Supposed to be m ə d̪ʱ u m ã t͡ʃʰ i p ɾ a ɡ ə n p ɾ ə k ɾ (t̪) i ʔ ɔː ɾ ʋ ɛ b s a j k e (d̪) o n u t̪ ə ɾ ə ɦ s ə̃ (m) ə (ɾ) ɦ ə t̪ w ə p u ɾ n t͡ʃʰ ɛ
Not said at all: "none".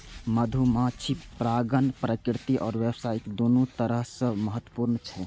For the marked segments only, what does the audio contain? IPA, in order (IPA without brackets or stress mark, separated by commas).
t̪, d̪, m, none